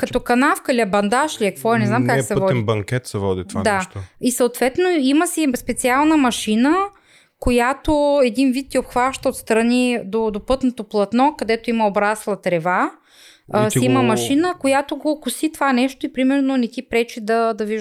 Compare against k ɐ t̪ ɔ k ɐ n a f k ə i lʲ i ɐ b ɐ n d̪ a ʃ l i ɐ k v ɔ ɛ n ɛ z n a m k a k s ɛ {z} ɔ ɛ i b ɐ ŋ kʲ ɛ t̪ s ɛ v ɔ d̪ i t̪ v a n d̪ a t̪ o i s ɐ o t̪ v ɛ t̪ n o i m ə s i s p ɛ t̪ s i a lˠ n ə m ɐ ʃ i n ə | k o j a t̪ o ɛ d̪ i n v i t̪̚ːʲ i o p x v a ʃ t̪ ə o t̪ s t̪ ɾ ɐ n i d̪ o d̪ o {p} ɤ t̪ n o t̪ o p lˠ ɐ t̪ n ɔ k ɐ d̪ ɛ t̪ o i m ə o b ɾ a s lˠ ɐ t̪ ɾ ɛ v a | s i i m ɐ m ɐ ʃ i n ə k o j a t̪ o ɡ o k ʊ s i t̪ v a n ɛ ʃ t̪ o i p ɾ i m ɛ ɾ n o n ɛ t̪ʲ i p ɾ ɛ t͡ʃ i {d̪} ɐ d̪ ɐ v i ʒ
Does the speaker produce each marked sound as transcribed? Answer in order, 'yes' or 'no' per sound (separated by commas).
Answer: no, yes, yes